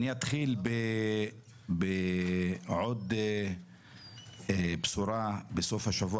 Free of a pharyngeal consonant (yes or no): no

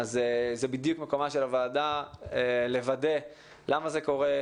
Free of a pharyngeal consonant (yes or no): yes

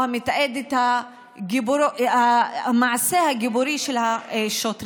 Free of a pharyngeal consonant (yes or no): no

